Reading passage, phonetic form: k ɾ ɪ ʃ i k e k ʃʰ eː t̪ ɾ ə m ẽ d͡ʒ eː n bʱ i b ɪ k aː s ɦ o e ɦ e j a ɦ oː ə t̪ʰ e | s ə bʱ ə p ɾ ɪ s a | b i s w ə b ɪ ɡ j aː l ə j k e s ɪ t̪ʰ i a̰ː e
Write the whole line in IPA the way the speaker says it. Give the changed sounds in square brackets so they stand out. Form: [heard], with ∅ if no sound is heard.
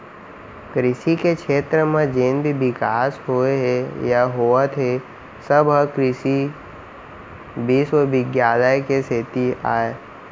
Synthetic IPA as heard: k ɾ ɪ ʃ i k e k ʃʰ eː t̪ ɾ ə m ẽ d͡ʒ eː n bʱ i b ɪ k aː s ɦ o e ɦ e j a ɦ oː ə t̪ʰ e | s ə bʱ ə [k] ɾ ɪ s [i] | b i s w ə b ɪ ɡ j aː l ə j k e s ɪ [t̪] i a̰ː e